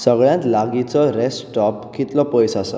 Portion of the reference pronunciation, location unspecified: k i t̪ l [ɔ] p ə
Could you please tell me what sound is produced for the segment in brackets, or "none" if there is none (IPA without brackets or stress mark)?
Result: ɔ